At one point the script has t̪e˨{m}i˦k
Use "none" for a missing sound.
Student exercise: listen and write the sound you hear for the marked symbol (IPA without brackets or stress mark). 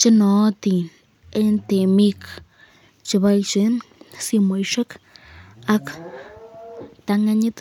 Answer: m